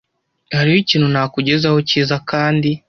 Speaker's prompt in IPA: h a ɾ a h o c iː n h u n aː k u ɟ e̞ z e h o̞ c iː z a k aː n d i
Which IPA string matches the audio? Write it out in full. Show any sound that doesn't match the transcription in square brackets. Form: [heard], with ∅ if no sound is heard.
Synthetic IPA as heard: h a ɾ [i] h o c iː n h u n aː k u ɟ e̞ z [a] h o̞ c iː z a k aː n d i